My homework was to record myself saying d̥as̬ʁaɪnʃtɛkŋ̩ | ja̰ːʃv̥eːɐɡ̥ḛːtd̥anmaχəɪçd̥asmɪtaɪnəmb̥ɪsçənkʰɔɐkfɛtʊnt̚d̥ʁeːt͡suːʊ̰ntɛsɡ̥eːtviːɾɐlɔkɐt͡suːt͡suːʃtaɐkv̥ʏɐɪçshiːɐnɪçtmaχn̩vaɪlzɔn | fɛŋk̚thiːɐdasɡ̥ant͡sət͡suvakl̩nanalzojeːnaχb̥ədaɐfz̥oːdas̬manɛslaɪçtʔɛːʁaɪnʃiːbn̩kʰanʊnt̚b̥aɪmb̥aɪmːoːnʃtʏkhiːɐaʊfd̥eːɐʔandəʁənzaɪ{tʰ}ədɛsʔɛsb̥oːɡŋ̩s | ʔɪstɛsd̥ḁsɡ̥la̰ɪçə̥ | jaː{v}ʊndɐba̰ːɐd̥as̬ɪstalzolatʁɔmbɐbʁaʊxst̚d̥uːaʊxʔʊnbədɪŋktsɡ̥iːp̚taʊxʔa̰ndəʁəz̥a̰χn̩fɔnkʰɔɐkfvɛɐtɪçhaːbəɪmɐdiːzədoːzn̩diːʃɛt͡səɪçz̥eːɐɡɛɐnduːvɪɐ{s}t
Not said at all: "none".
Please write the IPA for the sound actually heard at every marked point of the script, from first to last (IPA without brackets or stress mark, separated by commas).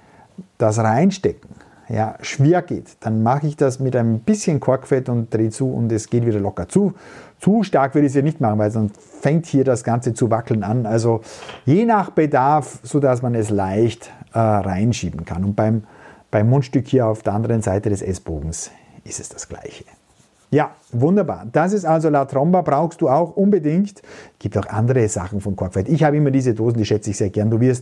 t, v, s